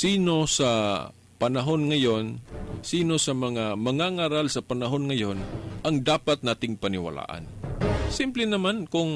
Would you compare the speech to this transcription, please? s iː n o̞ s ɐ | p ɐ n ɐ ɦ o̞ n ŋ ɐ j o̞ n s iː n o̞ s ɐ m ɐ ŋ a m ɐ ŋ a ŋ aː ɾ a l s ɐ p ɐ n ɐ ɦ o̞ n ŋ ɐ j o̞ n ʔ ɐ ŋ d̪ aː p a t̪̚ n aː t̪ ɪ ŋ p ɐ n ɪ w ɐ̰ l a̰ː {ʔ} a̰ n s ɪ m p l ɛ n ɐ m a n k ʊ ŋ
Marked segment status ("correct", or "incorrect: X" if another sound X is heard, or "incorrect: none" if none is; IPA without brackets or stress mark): correct